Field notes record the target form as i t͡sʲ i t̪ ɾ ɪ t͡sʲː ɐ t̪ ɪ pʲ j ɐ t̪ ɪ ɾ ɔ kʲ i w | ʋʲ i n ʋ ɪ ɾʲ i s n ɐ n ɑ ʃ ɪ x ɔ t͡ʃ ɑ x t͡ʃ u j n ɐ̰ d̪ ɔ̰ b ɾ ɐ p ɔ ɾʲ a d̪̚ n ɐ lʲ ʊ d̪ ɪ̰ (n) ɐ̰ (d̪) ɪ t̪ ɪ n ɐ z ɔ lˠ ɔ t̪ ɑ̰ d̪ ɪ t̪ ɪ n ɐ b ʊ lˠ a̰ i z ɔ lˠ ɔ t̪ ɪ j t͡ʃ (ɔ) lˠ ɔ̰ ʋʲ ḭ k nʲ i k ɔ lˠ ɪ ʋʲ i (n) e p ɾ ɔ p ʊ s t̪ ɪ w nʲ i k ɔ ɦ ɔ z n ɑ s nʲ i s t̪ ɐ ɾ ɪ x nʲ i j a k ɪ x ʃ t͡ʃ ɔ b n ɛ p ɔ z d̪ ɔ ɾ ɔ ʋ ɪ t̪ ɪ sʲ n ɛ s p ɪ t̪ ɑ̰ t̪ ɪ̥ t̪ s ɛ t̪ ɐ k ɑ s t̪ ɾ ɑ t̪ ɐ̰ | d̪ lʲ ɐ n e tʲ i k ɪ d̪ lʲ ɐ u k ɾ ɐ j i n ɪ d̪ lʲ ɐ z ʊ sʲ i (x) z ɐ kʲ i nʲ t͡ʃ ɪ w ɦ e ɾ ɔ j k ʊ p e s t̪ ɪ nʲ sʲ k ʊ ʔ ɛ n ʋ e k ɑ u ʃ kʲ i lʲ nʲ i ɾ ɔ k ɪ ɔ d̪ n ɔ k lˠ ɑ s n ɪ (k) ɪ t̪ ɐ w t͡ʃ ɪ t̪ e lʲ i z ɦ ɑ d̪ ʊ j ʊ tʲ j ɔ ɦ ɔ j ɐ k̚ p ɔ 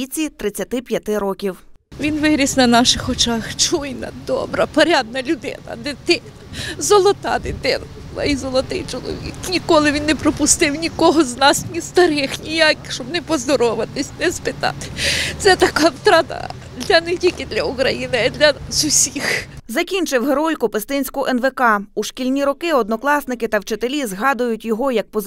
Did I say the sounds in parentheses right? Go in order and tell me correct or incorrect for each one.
correct, correct, correct, incorrect: nː, correct, correct

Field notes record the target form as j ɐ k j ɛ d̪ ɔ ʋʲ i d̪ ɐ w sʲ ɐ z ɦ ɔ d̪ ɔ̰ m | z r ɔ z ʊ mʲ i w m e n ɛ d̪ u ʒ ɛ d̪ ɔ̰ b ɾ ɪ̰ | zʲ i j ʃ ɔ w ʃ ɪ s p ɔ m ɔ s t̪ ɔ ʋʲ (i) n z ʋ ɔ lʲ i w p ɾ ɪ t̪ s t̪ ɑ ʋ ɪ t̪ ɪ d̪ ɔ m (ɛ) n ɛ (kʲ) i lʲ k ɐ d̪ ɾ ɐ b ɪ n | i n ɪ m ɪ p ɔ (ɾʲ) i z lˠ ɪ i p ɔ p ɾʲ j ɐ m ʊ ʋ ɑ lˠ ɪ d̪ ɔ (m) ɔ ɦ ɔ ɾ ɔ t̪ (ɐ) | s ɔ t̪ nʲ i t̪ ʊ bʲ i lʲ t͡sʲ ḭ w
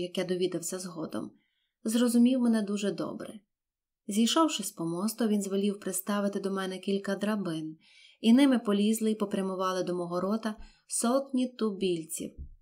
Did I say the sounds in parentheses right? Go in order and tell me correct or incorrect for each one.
correct, correct, correct, incorrect: lʲ, correct, correct

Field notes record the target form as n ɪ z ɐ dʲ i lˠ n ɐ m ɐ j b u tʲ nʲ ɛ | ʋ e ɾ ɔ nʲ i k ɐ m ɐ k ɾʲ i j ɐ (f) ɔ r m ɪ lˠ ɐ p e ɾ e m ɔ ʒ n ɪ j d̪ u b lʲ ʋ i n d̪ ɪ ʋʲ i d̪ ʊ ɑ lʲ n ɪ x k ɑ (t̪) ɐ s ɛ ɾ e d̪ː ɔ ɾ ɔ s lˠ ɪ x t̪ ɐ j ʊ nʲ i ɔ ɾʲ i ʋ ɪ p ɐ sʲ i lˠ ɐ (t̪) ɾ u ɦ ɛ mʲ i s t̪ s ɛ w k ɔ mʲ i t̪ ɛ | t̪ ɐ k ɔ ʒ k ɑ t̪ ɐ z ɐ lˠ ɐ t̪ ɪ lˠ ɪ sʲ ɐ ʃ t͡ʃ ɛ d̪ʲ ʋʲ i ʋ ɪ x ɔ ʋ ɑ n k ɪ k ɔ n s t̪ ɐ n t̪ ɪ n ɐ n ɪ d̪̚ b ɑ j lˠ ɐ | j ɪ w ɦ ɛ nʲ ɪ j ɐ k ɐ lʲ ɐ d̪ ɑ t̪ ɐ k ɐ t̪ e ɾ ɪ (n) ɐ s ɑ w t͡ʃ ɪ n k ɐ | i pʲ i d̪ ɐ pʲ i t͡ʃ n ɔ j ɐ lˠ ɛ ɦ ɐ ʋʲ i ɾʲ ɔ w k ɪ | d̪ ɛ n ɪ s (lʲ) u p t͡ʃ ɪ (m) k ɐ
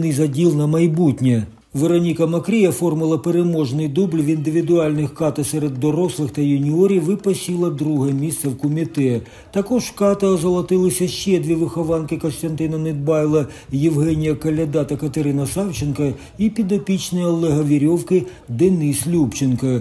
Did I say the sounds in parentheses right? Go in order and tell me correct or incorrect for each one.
correct, correct, incorrect: d̪, correct, correct, incorrect: n

